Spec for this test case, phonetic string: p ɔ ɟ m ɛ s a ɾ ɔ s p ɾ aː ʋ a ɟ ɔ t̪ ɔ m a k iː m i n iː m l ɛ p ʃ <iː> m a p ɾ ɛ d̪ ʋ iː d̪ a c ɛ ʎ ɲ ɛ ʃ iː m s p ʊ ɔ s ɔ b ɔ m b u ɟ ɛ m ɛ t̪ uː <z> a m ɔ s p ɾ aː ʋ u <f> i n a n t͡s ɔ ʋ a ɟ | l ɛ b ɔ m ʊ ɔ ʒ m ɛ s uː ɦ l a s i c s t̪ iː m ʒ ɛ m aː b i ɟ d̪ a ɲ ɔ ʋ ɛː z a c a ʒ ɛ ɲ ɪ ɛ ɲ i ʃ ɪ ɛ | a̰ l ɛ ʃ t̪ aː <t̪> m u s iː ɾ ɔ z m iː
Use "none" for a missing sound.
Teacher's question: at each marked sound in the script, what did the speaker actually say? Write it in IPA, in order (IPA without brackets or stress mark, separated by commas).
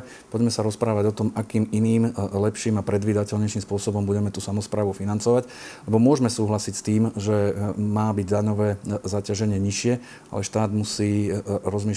iː, s, f, d̪